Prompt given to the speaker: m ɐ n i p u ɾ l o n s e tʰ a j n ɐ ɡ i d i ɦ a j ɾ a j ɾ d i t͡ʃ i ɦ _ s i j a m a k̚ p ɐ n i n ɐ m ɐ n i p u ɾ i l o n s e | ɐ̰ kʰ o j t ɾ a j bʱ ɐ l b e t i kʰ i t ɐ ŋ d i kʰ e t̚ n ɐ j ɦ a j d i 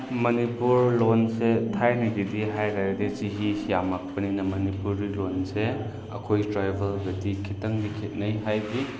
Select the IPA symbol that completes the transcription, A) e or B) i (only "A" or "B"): B